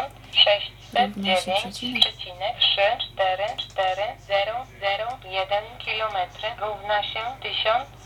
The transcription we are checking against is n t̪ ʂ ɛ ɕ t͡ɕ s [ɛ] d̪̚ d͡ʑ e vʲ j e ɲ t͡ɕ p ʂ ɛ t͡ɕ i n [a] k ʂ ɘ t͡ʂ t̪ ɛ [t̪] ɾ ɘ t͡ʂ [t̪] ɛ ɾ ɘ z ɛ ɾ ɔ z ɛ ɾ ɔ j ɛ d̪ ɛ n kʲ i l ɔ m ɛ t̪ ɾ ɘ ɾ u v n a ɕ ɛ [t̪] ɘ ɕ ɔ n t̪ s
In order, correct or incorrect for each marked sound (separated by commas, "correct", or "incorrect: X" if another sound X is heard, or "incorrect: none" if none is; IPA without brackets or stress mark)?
correct, incorrect: ɛ, incorrect: none, correct, correct